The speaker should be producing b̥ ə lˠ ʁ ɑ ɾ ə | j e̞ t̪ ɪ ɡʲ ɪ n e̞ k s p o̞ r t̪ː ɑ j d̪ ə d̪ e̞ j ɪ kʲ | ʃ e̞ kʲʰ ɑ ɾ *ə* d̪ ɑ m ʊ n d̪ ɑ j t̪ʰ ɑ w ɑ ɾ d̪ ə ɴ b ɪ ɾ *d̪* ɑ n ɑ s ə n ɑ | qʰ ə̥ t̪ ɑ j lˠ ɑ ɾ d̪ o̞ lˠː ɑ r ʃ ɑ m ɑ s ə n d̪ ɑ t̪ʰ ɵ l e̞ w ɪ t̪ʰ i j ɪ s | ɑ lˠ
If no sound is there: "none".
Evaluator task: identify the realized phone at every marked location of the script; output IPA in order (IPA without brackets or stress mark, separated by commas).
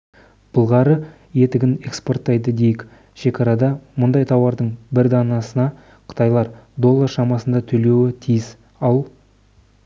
ɑ, d̪